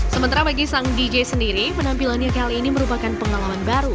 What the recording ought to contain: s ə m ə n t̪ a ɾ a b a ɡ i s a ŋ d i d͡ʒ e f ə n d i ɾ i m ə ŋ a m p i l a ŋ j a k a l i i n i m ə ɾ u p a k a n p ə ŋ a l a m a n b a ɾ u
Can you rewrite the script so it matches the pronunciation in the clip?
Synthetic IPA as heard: s ə m ə n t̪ a ɾ a b a ɡ i s a ŋ d i d͡ʒ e s ə n d i ɾ i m ə n a m p i l a n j a k a l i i n i m ə ɾ u p a k a n p ə ŋ a l a m a n b a ɾ u